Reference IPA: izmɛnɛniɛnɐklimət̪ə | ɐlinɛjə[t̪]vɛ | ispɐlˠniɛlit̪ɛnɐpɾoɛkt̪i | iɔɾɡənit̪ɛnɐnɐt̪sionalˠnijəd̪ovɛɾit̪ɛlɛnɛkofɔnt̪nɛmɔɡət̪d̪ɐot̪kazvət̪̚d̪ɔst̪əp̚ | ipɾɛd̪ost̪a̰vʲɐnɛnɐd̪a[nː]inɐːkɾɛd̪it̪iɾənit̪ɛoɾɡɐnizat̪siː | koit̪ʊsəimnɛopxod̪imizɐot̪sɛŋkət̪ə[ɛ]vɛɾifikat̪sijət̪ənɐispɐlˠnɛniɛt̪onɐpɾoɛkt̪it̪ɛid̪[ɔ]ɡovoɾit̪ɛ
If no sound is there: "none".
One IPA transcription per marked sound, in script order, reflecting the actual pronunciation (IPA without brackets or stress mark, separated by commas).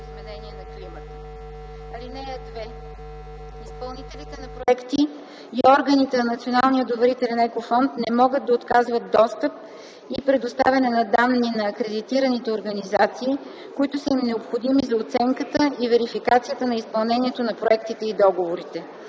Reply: d̪, nː, i, ɔ